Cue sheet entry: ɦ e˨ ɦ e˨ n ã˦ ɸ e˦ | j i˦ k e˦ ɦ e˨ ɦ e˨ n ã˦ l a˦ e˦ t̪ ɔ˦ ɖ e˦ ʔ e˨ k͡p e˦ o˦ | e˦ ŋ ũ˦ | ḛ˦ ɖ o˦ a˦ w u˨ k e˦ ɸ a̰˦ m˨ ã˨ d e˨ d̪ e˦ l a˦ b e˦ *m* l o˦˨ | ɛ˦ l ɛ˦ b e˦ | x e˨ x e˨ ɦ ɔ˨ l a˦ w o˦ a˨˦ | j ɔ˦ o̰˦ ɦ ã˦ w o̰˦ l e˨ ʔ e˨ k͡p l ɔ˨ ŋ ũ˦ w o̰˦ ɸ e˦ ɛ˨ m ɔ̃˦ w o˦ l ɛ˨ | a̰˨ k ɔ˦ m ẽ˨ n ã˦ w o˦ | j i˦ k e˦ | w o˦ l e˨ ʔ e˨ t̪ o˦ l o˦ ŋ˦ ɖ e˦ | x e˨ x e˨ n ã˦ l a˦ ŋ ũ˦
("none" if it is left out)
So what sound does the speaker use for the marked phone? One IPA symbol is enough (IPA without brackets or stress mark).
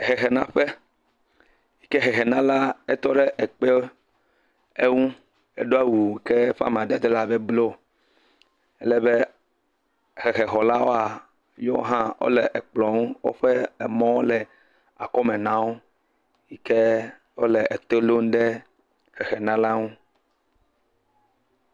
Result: b